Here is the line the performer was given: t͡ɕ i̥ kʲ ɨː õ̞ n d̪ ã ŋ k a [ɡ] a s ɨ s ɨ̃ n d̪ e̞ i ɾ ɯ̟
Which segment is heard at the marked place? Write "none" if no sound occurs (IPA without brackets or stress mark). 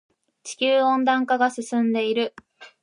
ɡ